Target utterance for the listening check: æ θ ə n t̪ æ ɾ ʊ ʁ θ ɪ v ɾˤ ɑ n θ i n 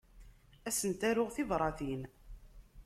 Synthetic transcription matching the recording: æ s ə n t̪ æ ɾ ʊ ʁ θ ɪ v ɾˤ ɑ θ i n